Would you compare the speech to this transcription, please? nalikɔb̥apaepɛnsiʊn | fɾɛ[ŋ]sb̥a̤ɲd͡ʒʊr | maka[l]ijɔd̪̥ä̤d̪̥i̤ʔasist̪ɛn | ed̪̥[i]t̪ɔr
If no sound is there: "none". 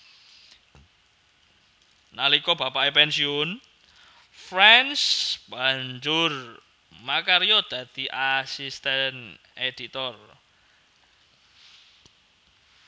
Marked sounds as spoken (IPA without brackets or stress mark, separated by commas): n, ɾ, i